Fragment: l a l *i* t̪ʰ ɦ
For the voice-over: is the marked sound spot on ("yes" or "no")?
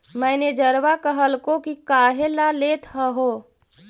no